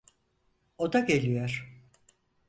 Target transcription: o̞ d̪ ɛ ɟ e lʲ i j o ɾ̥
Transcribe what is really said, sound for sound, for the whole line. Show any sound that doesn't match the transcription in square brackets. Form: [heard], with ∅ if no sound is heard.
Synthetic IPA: o̞ d̪ [a] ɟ e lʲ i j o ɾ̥